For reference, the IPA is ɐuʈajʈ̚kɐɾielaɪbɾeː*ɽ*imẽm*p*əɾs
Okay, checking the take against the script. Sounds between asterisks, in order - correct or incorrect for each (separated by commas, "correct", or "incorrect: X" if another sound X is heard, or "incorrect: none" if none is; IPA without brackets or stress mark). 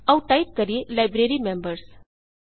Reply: incorrect: ɾ, incorrect: b